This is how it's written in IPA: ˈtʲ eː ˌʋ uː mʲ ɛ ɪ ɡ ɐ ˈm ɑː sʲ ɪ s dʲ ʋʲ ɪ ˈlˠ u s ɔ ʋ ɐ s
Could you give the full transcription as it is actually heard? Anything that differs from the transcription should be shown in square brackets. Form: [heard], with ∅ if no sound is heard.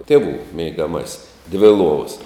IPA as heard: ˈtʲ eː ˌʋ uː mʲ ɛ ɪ ɡ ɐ ˈm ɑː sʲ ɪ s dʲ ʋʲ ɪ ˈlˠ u [∅] ɔ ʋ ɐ s